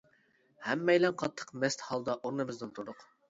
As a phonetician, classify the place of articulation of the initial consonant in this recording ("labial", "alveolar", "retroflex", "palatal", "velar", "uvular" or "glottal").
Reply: glottal